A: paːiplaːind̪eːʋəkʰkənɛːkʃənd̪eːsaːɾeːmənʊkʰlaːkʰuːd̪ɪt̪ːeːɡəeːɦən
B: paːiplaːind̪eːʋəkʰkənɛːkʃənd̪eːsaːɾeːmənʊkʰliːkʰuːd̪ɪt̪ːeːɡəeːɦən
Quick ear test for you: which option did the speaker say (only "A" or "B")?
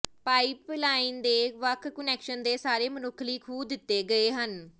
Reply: B